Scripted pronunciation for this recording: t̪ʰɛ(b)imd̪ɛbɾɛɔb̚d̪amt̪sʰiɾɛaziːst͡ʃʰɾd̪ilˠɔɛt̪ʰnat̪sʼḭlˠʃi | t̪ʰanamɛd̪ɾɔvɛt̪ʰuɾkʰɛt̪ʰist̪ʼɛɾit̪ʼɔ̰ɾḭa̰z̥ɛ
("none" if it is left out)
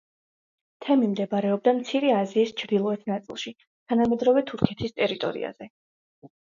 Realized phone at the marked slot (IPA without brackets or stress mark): m